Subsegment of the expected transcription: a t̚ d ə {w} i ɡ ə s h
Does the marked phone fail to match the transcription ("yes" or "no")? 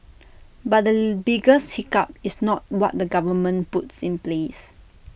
yes